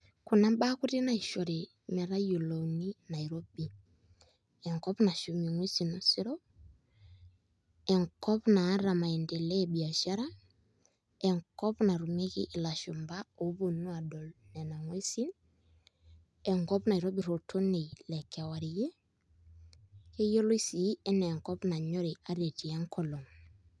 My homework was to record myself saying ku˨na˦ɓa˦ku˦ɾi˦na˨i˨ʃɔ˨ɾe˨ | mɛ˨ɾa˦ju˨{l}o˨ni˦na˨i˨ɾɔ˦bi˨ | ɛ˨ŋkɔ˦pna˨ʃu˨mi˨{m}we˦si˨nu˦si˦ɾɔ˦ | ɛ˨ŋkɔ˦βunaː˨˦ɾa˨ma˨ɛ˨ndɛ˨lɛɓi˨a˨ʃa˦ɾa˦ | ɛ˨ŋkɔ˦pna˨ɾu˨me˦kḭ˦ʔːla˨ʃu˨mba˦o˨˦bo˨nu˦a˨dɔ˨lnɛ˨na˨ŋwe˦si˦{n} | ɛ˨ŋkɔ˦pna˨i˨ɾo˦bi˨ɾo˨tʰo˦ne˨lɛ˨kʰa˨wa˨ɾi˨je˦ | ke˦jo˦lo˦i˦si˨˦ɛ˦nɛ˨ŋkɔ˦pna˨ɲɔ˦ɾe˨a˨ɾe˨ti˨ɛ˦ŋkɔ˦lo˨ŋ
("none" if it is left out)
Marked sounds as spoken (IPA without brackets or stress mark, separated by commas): l, ŋ, n